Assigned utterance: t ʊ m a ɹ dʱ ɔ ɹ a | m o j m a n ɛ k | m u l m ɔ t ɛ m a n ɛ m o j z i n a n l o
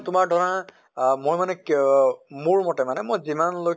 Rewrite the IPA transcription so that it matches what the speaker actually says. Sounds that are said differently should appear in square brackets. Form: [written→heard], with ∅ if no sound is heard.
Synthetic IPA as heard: t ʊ m a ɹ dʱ ɔ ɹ a | m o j m a n ɛ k | m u [l→ɹ] m ɔ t ɛ m a n ɛ m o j z i [n→m] a n l o

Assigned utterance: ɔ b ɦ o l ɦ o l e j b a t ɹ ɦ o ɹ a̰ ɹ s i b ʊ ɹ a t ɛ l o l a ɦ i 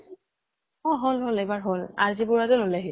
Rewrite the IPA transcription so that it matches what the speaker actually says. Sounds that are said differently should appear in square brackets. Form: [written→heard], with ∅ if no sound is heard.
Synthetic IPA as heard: ɔ [b→∅] ɦ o l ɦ o l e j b a [t→∅] ɹ ɦ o [ɹ→l] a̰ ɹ [s→z] i b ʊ ɹ a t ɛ l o l a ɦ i

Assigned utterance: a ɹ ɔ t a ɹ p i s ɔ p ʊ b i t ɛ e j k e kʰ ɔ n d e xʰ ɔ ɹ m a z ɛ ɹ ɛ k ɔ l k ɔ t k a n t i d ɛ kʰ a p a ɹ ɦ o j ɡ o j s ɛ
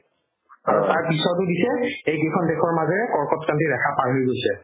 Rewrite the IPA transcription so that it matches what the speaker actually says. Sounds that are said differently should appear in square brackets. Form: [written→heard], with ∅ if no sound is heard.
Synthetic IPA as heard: a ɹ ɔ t a ɹ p i s ɔ [p→t] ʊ [b→d] i [t→s] ɛ e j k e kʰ ɔ n d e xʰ ɔ ɹ m a z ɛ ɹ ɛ k ɔ [l→ɹ] k ɔ t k a n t i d ɛ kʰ a p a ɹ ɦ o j ɡ o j s ɛ

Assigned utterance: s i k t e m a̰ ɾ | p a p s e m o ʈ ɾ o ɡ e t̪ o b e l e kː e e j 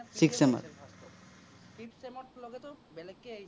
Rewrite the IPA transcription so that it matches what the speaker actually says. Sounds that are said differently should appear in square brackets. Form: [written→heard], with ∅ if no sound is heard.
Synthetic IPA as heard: s i k [t→s] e m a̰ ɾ | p [a→i] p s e m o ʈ [ɾ→l] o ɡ e t̪ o b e l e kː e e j

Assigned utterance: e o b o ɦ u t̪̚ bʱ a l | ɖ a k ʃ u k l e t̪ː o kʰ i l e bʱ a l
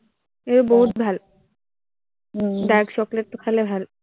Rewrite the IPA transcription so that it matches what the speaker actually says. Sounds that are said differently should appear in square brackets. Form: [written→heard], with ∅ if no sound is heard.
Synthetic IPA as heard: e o b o ɦ u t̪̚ bʱ a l | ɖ a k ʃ [u→ɔ] k l e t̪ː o kʰ [i→a] l e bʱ a l

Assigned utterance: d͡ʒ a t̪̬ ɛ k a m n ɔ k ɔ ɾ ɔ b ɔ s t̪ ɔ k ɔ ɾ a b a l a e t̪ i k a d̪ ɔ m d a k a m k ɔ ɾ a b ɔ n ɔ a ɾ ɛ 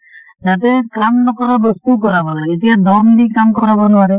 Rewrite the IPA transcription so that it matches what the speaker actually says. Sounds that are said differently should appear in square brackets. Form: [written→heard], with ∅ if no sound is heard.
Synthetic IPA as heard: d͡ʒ a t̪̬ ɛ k a m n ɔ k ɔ ɾ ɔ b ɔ s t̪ [ɔ→u] k ɔ ɾ a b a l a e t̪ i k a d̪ ɔ m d [a→i] k a m k ɔ ɾ a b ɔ n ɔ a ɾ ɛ

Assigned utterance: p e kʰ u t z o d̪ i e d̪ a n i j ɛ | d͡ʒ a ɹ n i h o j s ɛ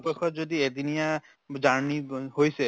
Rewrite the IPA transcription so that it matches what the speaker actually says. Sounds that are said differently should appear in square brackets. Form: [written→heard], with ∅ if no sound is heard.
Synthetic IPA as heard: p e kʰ [u→ɔ] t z o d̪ i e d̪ [a→i] n i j [ɛ→a] | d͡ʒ a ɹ n i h o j s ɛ

